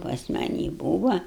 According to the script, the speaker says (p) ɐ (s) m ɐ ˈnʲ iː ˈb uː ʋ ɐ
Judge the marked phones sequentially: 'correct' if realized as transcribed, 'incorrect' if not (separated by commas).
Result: correct, correct